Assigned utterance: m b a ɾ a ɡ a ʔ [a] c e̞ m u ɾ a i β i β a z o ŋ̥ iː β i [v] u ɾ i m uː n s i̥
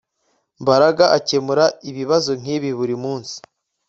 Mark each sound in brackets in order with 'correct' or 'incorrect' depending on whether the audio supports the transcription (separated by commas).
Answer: correct, incorrect